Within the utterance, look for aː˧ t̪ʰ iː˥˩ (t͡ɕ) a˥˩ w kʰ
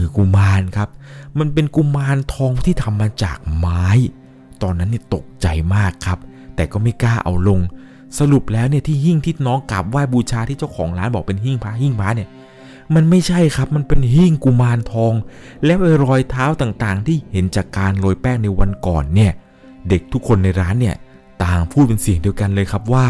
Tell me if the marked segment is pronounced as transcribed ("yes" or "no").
yes